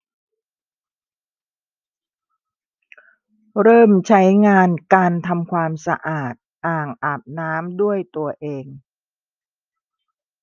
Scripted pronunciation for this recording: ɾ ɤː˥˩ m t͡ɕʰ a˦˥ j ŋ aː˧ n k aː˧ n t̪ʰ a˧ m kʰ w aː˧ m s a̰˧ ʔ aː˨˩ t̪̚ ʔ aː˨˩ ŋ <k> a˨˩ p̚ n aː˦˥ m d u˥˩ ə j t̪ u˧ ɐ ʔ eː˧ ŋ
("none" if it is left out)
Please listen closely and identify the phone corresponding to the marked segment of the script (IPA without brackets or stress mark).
ʔ